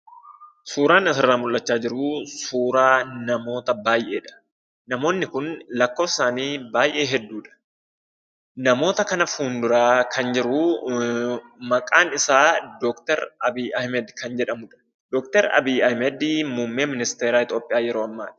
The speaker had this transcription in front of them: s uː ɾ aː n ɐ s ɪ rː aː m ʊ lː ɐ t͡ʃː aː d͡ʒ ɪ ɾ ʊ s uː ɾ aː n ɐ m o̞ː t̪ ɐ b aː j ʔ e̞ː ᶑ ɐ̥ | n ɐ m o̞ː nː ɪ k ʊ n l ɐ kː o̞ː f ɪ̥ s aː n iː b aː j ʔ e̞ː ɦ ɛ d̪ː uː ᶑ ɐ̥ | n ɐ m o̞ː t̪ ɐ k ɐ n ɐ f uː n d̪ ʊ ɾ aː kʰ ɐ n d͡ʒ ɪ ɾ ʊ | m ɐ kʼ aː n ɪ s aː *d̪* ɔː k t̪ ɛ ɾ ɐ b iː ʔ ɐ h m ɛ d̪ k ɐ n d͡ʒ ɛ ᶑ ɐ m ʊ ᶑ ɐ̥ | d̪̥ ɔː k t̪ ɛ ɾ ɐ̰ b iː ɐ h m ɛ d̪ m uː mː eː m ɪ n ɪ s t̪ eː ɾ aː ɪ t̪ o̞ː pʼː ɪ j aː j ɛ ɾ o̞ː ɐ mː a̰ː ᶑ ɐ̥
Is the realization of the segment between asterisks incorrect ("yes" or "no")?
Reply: no